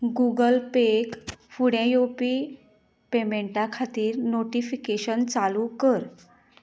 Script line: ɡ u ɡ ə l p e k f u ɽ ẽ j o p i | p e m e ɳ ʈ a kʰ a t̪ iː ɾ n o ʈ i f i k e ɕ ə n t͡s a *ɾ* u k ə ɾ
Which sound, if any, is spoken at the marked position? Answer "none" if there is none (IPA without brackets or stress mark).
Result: l